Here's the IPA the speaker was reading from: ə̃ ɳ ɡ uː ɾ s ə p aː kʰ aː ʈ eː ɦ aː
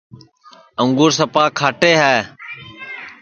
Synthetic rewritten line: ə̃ ŋ ɡ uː ɾ s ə p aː kʰ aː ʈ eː ɦ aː